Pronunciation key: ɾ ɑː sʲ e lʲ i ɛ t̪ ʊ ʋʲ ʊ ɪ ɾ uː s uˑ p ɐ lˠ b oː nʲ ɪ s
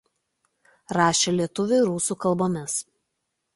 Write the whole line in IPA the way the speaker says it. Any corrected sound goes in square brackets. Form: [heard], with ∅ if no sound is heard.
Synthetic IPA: ɾ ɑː [ʃʲ] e lʲ i ɛ t̪ ʊ ʋʲ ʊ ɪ ɾ uː s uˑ [k] ɐ lˠ b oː [mʲ] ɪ s